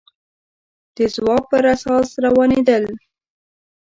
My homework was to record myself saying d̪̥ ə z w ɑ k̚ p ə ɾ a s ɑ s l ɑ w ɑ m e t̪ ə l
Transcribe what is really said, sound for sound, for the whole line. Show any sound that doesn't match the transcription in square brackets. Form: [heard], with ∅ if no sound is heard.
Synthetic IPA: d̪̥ ə z w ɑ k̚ p ə ɾ a s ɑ s [ɾ] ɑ w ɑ [n] e [d̪] ə l